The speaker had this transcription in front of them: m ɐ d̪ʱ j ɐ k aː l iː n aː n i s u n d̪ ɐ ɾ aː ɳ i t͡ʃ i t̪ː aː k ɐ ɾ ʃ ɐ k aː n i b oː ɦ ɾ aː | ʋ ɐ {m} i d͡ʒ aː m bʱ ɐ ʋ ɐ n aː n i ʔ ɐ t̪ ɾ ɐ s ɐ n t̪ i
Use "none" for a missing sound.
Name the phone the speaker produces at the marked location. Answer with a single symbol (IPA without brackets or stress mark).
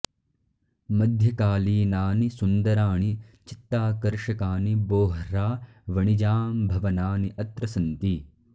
ɳ